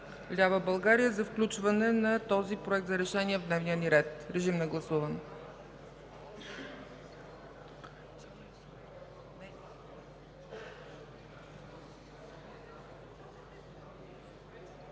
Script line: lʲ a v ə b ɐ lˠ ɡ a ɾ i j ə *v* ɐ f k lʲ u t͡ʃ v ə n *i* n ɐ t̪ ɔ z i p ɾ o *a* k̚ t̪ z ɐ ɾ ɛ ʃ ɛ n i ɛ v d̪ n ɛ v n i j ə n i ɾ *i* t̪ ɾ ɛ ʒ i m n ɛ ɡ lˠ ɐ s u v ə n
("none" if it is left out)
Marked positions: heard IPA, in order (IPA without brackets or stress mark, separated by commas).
z, ɛ, ɛ, ɛ